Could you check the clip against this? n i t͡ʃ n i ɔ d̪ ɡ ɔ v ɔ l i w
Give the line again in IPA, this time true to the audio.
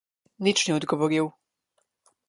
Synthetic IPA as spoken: n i t͡ʃ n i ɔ d̪ ɡ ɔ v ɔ ɾ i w